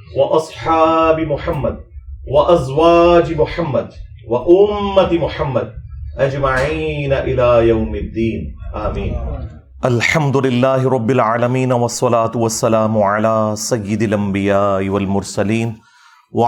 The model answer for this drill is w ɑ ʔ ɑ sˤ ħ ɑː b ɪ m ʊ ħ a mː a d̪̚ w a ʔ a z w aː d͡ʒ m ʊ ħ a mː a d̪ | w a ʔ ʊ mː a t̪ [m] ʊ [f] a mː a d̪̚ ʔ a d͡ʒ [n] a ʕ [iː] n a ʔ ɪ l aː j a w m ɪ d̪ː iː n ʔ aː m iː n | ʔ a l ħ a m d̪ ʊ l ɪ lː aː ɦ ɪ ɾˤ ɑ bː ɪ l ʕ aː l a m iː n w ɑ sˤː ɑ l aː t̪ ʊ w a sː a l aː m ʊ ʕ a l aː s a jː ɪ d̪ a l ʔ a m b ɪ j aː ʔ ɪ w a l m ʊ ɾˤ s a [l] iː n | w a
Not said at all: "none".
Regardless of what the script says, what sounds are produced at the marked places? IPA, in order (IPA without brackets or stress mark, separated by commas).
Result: m, ħ, m, iː, l